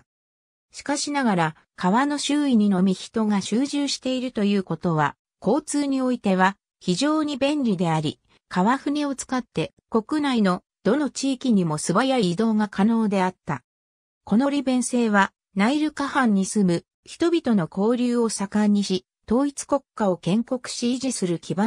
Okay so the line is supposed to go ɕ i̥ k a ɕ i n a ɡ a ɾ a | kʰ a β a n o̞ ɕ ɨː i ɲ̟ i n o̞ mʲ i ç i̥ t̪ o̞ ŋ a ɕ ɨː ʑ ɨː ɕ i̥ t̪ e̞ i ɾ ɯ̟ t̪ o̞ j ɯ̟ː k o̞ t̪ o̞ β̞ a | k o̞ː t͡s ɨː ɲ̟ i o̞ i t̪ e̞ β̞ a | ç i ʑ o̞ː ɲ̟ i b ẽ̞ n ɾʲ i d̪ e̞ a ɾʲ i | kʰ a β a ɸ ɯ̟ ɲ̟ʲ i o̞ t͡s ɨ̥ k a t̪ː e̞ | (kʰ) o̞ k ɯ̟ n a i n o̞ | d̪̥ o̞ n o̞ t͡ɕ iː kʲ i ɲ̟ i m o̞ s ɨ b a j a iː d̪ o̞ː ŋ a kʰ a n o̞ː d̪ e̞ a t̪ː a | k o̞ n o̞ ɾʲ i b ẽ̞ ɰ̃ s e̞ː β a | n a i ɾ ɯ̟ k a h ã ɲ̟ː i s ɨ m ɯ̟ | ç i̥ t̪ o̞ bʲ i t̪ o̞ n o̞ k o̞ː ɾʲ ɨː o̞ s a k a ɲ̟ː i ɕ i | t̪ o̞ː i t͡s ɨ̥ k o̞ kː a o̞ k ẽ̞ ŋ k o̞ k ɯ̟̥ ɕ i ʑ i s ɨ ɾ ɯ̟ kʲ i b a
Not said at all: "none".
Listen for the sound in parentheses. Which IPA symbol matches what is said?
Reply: k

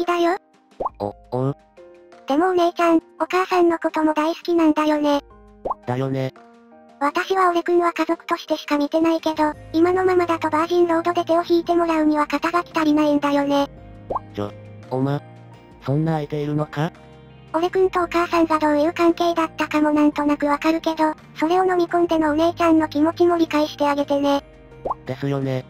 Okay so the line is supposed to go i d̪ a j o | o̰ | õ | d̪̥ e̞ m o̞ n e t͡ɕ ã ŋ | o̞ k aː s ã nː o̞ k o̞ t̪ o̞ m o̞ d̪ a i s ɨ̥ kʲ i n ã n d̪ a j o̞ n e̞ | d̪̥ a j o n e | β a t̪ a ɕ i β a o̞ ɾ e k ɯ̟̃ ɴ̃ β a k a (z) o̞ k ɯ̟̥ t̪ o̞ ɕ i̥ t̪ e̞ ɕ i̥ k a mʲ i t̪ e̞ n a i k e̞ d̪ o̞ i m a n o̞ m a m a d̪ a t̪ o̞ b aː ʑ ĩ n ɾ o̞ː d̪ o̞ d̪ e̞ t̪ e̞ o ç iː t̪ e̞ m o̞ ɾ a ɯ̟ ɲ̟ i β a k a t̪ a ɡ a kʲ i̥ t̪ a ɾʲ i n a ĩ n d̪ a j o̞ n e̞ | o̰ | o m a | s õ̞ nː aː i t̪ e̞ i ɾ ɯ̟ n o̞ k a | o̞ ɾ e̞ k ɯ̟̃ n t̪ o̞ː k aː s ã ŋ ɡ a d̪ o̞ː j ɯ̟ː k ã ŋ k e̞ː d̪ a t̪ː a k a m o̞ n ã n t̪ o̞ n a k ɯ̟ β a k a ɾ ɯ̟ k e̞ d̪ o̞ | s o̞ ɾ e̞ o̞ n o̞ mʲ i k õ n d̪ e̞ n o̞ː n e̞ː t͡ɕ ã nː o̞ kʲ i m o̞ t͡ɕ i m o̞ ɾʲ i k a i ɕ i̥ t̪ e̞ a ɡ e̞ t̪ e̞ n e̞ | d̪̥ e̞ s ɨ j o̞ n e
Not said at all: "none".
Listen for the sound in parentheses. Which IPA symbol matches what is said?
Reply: z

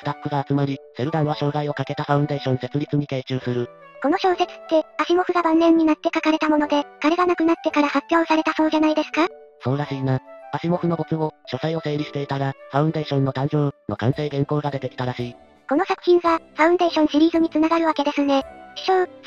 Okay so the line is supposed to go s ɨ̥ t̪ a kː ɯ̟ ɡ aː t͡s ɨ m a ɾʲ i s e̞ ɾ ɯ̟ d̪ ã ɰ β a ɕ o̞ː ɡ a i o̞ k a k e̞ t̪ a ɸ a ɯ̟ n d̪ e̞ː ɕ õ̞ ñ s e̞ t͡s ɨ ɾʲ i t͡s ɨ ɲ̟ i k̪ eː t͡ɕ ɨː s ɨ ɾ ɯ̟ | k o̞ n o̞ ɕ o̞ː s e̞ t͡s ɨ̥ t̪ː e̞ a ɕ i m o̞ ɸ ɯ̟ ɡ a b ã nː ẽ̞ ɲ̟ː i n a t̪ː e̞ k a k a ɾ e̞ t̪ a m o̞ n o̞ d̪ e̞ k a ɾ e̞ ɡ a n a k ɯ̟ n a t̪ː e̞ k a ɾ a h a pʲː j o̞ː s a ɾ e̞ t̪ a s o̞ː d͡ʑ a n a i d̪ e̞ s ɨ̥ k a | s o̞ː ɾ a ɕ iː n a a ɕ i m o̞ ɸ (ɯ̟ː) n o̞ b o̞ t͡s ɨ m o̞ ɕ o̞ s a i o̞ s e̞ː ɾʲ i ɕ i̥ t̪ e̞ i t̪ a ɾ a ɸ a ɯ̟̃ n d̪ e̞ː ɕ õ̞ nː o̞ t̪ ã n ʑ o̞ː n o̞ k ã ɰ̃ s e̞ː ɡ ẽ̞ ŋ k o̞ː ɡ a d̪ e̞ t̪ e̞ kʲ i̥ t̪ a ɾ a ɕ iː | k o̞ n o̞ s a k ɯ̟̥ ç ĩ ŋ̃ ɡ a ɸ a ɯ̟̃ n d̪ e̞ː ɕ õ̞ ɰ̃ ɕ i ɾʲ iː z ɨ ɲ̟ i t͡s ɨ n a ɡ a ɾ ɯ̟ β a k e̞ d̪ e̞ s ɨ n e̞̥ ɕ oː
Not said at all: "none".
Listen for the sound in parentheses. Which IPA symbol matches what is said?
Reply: ɯ̟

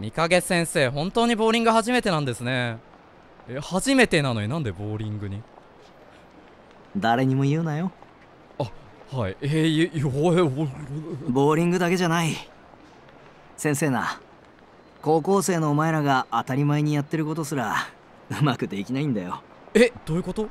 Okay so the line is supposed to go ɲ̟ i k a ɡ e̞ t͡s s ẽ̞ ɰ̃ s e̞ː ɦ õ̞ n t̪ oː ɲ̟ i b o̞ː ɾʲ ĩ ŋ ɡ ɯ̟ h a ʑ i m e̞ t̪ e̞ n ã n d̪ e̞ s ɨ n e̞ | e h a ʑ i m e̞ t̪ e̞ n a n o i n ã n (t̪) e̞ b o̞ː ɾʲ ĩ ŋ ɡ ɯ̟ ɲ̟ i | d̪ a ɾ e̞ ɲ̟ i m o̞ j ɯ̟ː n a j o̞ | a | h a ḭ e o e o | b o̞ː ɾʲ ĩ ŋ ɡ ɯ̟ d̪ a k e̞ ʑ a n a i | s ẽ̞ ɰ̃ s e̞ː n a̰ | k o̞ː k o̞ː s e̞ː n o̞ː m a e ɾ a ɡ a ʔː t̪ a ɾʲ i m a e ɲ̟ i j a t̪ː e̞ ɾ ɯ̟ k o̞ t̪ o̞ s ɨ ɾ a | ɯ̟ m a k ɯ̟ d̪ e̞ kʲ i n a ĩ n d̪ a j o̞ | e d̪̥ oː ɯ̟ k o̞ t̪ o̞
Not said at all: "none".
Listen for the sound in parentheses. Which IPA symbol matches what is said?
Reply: d̪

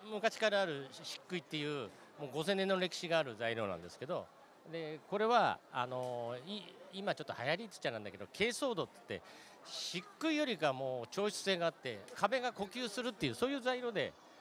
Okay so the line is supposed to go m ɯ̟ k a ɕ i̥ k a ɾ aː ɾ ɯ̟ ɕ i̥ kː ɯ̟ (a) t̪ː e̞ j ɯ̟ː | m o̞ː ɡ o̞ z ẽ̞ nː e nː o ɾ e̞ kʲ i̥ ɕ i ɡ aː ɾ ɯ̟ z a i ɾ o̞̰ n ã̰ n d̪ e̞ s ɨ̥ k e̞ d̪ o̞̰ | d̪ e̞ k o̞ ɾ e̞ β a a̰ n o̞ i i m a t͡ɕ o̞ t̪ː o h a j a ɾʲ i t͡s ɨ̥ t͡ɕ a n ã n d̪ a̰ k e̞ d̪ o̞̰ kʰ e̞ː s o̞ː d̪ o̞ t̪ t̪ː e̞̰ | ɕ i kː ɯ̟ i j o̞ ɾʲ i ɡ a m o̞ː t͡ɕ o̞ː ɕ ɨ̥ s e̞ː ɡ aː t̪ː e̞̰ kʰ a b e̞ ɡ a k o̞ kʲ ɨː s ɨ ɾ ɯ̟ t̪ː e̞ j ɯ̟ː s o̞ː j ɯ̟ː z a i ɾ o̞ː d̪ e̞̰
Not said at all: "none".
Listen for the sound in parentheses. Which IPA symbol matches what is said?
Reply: i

